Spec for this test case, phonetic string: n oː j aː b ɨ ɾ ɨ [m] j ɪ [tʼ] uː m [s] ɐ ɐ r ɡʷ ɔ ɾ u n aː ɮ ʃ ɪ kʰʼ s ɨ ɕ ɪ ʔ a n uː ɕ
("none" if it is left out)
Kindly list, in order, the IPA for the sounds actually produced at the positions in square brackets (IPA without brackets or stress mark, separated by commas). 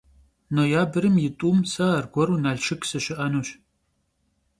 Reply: m, tʼ, s